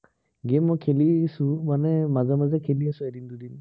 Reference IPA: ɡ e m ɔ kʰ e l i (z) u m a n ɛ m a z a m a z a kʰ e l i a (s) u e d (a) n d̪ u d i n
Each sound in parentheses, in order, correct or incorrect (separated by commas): incorrect, correct, incorrect